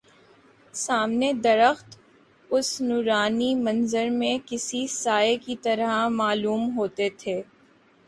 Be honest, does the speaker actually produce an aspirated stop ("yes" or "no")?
yes